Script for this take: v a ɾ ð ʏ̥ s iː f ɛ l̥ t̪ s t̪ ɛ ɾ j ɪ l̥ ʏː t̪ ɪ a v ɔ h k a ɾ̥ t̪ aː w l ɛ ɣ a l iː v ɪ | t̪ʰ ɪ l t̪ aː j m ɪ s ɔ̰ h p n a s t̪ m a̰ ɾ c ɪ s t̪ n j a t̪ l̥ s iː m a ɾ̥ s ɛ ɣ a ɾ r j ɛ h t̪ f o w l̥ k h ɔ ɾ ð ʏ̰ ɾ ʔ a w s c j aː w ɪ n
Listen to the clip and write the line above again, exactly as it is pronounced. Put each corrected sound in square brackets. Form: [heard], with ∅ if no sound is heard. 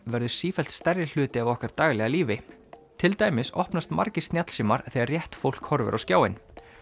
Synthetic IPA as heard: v [ɛ] ɾ ð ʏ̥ s iː f ɛ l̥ t̪ s t̪ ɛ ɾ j ɪ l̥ ʏː t̪ ɪ a v ɔ h k a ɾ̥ t̪ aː [ɣ] l ɛ ɣ a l iː v ɪ | t̪ʰ ɪ l t̪ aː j m ɪ s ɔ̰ h p n a s t̪ m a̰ ɾ c ɪ s t̪ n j a t̪ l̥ s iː m a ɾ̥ [θ] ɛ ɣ a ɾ r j ɛ h t̪ f o w l̥ k h ɔ ɾ [v] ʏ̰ ɾ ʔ a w s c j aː w ɪ n